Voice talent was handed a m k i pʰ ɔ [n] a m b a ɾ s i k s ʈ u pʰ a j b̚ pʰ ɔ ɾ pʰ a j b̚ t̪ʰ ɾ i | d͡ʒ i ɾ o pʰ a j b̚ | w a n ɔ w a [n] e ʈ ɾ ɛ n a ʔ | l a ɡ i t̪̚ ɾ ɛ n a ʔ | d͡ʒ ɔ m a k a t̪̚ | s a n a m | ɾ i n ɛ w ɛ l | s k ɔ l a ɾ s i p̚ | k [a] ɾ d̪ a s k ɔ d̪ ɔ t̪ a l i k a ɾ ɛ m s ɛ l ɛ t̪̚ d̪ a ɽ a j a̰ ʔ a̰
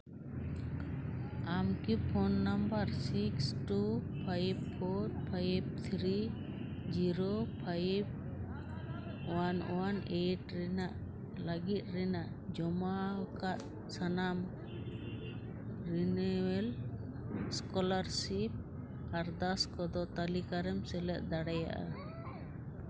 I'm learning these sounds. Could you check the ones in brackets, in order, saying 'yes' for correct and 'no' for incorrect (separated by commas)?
no, yes, yes